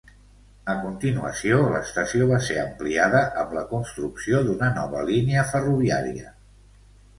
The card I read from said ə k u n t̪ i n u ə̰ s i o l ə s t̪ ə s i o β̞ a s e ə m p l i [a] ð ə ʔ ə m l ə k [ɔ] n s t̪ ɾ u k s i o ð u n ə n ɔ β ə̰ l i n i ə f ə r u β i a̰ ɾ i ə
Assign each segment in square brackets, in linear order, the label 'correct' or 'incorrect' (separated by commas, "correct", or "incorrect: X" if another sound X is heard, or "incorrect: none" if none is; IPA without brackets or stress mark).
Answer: correct, incorrect: u